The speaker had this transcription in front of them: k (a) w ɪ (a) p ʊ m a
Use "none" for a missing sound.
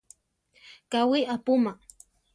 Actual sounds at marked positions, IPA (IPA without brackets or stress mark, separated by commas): a, a